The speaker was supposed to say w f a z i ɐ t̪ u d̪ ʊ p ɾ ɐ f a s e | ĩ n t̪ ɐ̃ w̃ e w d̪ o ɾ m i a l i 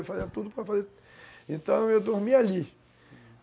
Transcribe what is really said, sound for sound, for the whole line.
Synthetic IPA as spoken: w f a z i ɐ t̪ u d̪ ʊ p ɾ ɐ f a z e | ẽ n t̪ ɐ̃ w̃ e w d̪ o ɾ m i a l i

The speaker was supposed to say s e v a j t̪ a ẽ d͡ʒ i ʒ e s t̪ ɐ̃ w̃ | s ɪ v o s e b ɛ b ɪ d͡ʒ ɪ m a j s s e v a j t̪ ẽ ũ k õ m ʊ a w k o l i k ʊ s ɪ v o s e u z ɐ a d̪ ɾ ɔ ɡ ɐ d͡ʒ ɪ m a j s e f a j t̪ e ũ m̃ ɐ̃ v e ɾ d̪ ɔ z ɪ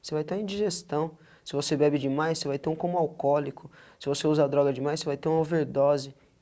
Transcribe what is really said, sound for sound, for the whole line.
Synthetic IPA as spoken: s e v a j t̪ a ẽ d͡ʒ i ʒ e s t̪ ɐ̃ w̃ | s ɪ v o s e b ɛ b ɪ d͡ʒ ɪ m a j s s e v a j t̪ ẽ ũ k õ m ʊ a w k ɔ l i k ʊ s ɪ v o s e u z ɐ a d̪ ɾ ɔ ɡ ɐ d͡ʒ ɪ m a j s e v a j t̪ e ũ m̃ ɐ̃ v e ɾ d̪ ɔ z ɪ

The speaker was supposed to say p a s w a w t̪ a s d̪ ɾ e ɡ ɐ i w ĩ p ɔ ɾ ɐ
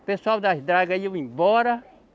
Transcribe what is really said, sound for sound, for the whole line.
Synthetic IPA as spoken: p e s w a w d̪ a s d̪ ɾ a ɡ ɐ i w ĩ b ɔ ɾ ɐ

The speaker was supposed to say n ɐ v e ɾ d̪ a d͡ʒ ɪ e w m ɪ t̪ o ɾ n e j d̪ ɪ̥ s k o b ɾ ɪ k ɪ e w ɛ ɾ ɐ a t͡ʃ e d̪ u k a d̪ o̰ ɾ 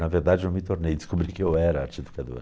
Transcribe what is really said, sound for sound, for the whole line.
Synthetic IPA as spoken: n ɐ v e ɾ d̪ a d͡ʒ ɪ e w m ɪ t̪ o ɾ n e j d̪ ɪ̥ s k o b ɾ i k ɪ e w ɛ ɾ ɐ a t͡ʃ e d̪ u k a d̪ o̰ ɾ

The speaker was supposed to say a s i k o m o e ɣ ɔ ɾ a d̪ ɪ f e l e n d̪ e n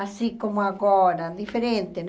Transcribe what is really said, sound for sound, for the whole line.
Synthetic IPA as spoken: a s i k o m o a ɣ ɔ ɾ a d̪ i f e ɾ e n t̪ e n

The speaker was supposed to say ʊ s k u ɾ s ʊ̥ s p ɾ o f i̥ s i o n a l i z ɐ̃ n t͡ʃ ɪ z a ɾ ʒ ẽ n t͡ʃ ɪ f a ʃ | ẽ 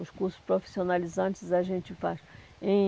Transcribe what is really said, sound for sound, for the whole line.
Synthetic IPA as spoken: ʊ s k u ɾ s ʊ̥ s p ɾ o f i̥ s i o n a l i z ɐ̃ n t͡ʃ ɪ z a ʒ ẽ n t͡ʃ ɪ f a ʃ | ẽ

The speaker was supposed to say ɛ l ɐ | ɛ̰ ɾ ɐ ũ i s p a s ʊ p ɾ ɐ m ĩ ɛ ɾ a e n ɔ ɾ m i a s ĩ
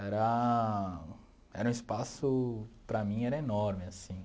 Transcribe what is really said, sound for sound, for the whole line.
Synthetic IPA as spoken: ɛ ɾ ɐ | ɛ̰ ɾ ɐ ũ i s p a s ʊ p ɾ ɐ m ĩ ɛ ɾ ɐ e n ɔ ɾ m ɪ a s ĩ

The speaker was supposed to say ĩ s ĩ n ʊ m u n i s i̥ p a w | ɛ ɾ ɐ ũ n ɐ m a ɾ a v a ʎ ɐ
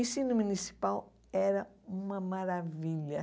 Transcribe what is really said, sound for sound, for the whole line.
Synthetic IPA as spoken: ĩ s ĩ n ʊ m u n i s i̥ p a w | ɛ ɾ ɐ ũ m ɐ m a ɾ a v i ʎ ɐ

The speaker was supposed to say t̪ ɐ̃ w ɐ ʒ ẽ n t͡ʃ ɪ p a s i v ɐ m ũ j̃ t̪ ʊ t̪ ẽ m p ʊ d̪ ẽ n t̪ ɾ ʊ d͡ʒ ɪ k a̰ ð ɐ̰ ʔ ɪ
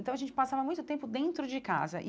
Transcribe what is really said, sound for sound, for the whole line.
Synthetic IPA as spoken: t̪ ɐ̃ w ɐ ʒ ẽ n t͡ʃ ɪ p a s a v ɐ m ũ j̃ t̪ ʊ t̪ ẽ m p ʊ d̪ ẽ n t̪ ɾ ʊ d͡ʒ ɪ k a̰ z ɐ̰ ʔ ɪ

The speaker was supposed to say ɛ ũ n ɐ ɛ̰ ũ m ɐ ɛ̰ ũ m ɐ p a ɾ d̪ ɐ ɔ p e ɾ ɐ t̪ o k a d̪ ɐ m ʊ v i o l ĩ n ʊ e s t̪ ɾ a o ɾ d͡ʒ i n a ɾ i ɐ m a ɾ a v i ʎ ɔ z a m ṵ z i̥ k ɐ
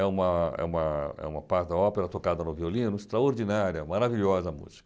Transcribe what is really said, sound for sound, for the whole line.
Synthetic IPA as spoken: ɛ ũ m ɐ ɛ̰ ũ m ɐ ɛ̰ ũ m ɐ p a ɾ d̪ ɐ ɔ p e ɾ ɐ t̪ o k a d̪ ɐ n ʊ v i o l ĩ n ʊ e s t̪ ɾ a o ɾ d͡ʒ i n a ɾ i ɐ m a ɾ a v i ʎ ɔ z ɐ m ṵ z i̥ k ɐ

